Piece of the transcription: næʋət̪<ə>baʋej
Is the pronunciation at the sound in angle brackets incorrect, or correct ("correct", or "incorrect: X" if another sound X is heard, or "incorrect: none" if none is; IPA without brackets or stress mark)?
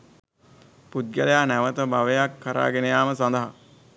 correct